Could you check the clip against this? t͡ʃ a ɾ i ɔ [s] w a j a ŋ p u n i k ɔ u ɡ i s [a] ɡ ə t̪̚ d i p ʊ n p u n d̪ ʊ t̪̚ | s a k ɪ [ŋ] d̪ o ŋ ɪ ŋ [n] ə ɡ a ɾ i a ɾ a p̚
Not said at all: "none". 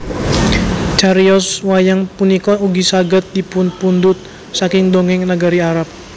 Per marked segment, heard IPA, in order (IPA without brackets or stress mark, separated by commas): s, a, ŋ, n